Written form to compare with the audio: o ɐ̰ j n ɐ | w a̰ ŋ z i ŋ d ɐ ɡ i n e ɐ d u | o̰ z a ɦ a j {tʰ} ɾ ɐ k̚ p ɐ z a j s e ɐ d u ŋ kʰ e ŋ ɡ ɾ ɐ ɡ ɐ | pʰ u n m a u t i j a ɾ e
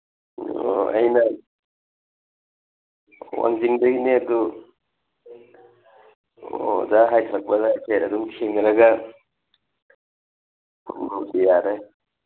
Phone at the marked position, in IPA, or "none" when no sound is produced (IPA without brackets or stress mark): tʰ